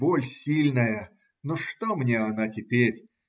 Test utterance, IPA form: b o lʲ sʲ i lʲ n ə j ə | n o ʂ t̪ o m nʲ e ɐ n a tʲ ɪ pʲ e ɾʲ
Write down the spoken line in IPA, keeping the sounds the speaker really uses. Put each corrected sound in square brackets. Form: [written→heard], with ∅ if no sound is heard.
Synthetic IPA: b o lʲ sʲ i lʲ n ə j ə | n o ʂ t̪ o m nʲ e ɐ n a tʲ ɪ pʲ e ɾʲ